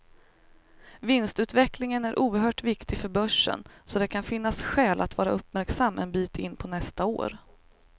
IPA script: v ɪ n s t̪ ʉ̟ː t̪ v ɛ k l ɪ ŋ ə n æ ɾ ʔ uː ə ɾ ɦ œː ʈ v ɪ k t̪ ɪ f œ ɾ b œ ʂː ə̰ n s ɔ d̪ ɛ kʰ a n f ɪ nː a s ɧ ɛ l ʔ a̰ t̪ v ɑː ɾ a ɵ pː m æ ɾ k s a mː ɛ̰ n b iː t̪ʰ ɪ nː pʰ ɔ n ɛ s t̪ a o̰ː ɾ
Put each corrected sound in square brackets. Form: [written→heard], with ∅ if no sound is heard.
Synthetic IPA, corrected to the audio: v ɪ n s t̪ ʉ̟ː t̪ v ɛ k l ɪ ŋ ə n æ ɾ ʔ uː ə ɾ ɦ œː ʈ v ɪ k t̪ ɪ f œ ɾ b œ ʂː ə̰ n s ɔ d̪ ɛ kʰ a n f ɪ nː a s ɧ [ɛ→ɛː] l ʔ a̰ t̪ v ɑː ɾ a ɵ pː m æ ɾ k s a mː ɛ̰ n b iː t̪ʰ ɪ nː pʰ ɔ n ɛ s t̪ a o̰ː ɾ